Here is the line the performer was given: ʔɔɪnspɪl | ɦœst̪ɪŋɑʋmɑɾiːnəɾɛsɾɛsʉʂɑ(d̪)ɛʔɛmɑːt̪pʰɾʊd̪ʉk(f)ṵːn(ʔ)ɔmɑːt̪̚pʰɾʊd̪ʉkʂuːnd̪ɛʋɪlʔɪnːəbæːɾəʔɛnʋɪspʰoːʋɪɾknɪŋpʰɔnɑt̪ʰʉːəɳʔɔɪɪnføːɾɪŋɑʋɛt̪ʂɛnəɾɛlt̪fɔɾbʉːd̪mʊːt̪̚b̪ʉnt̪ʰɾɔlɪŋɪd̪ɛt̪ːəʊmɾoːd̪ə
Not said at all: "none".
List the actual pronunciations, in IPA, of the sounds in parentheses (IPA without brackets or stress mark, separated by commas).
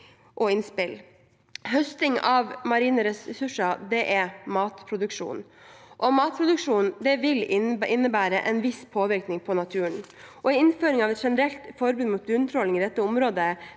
d̪, ʂ, ʔ